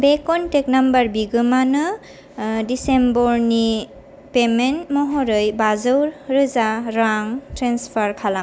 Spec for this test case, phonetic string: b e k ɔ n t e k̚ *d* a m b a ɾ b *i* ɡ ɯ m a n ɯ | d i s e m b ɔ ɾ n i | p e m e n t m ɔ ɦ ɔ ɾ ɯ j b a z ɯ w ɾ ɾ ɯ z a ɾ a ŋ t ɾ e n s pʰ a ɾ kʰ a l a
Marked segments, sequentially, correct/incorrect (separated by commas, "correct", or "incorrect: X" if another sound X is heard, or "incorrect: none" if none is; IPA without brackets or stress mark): incorrect: n, correct